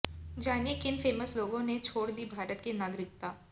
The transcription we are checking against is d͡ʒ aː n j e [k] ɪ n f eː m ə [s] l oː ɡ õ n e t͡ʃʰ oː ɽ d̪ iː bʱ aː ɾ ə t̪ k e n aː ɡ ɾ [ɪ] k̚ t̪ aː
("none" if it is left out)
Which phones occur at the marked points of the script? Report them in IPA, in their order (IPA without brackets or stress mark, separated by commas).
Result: k, s, ɪ